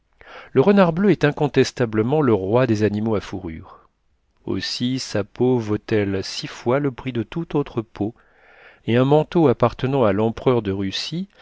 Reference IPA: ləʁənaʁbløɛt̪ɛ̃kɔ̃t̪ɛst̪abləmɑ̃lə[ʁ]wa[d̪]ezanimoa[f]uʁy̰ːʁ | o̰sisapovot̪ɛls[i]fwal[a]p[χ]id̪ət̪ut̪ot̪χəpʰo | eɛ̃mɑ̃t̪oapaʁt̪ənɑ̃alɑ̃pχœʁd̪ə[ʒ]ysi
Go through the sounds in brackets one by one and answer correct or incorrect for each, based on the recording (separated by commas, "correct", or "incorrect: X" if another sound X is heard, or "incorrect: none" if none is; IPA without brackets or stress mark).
correct, correct, correct, correct, incorrect: ə, correct, incorrect: ʁ